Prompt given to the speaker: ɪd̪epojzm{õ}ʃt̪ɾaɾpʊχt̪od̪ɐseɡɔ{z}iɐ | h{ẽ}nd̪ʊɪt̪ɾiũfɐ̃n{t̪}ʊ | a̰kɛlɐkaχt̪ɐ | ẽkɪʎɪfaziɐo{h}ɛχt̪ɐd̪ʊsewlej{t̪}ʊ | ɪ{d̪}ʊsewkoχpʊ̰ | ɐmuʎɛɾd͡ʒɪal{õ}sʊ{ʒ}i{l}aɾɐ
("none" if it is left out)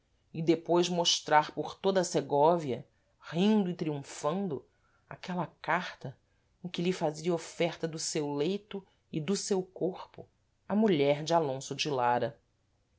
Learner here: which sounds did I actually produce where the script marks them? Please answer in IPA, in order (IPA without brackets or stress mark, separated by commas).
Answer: o, v, ĩ, d̪, f, t̪, d̪, õ, d͡ʒ, l